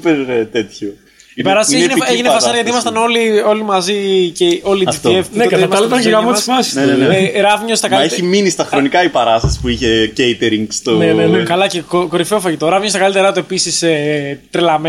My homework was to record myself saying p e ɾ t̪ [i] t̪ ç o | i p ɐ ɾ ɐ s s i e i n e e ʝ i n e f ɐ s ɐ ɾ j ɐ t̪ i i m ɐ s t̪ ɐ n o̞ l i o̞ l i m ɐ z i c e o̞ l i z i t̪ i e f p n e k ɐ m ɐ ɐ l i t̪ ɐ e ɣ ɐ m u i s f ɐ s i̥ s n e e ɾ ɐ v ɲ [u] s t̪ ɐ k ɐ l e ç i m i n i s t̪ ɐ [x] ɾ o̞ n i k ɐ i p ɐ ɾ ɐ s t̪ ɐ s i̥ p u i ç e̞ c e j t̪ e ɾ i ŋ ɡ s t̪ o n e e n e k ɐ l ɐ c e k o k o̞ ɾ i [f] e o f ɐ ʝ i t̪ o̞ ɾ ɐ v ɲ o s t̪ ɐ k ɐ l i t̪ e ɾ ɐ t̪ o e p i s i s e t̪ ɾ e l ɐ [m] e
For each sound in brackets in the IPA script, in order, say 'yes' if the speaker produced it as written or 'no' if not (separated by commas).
no, no, yes, yes, yes